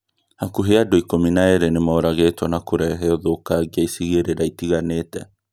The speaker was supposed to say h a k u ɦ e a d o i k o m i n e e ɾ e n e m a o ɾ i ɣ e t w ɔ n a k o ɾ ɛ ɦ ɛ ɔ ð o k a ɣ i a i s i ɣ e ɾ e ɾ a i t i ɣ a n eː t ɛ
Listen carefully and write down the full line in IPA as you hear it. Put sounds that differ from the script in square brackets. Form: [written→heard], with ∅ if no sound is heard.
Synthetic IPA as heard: h a k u ɦ e a d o i k o m i n [e→a] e ɾ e n e m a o ɾ [i→a] ɣ e t w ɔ n a k o ɾ ɛ ɦ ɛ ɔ ð o k a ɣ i a i s i ɣ e ɾ e ɾ a i t i ɣ a n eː t ɛ